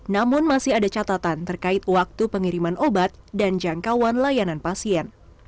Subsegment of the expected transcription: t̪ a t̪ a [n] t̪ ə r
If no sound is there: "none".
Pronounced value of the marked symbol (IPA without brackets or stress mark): n